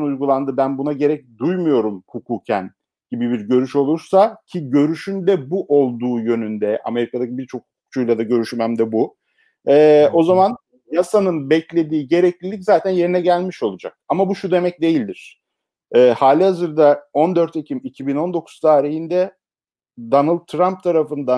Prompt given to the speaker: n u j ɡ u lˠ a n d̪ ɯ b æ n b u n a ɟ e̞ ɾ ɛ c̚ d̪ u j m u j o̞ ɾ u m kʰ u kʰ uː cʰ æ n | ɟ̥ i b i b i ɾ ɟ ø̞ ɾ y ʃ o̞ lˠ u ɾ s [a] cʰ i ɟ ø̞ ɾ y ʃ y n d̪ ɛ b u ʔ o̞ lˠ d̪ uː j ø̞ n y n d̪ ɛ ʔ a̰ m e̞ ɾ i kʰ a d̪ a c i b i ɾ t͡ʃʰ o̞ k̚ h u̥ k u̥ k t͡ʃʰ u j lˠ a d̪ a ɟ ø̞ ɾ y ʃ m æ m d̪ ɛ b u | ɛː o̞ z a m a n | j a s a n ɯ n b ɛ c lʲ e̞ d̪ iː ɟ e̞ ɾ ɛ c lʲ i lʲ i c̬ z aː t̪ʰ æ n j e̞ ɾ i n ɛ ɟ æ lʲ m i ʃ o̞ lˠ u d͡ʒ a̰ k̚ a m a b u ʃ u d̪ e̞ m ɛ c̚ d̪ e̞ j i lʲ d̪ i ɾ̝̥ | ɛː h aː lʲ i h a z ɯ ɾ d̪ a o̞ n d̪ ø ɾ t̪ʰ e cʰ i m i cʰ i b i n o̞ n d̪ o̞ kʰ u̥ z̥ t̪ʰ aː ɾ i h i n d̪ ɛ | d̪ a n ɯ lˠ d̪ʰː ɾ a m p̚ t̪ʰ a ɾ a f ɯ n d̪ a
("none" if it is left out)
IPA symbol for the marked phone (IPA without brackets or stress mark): a